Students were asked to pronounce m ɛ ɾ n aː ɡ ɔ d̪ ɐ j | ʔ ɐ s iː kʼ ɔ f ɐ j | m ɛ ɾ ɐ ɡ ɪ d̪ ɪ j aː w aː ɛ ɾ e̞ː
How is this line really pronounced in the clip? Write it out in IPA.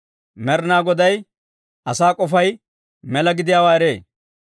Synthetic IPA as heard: m ɛ ɾ n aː ɡ ɔ d̪ ɐ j | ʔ ɐ s aː kʼ ɔ f ɐ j | m ɛ l ɐ ɡ ɪ d̪ ɪ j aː w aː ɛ ɾ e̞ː